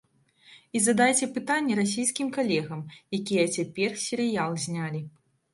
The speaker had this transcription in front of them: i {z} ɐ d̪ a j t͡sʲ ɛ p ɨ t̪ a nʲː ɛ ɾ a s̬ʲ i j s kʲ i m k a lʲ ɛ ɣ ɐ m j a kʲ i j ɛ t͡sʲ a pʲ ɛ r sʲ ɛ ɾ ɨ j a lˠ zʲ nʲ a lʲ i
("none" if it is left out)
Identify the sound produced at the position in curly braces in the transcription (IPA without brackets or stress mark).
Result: z